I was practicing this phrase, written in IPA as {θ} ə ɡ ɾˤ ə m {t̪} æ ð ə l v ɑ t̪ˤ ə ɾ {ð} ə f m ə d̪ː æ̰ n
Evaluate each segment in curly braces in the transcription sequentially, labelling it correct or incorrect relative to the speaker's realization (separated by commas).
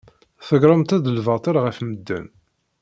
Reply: correct, correct, incorrect